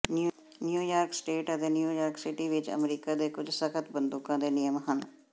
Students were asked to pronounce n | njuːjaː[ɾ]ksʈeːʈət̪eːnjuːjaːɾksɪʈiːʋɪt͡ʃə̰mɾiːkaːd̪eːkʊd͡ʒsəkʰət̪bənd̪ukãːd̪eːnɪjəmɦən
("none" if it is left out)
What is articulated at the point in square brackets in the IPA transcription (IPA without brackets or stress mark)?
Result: ɾ